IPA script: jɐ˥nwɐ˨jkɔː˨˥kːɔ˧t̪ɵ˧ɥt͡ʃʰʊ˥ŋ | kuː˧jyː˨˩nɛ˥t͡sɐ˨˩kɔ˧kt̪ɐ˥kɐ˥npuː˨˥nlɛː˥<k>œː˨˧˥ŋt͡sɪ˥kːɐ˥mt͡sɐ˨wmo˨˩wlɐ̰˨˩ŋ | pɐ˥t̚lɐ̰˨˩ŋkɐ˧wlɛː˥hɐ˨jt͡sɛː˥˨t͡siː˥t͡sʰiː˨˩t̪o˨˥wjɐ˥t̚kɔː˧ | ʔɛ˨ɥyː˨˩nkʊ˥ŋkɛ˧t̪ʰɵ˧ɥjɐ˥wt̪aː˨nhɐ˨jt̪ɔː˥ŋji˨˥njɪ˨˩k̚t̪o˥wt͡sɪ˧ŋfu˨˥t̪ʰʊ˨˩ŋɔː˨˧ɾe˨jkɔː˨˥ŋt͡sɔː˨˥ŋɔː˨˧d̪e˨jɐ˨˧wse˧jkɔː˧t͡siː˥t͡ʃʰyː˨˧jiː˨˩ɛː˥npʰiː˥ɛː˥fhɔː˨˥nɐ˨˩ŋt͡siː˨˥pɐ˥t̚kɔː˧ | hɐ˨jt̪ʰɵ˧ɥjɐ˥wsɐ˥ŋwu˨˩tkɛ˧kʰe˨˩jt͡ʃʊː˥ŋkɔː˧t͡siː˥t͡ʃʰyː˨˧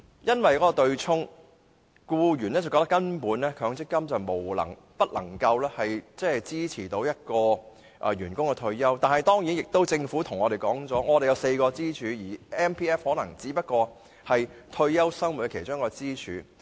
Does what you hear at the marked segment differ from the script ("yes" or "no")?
yes